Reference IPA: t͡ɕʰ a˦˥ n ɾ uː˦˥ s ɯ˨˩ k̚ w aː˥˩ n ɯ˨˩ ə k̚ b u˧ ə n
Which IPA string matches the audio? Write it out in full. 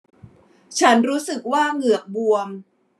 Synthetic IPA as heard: t͡ɕʰ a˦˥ n ɾ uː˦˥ s ɯ˨˩ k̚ w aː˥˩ ŋ ɯ˨˩ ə k̚ b u˧ ə m